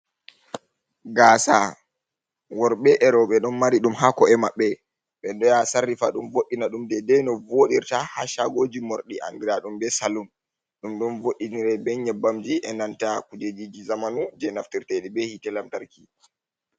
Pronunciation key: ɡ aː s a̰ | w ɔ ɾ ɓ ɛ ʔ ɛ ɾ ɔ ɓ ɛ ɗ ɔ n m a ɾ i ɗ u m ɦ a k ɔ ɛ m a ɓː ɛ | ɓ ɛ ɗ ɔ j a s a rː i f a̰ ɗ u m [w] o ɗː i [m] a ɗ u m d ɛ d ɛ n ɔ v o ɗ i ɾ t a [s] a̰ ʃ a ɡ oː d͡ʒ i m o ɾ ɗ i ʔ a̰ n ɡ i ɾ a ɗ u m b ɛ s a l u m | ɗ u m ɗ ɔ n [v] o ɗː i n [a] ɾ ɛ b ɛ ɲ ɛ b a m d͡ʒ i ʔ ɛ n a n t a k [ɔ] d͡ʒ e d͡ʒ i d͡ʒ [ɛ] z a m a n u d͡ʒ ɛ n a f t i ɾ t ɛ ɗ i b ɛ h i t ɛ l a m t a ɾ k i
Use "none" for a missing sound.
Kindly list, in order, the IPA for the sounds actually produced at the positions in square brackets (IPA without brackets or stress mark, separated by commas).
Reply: v, n, h, v, i, u, i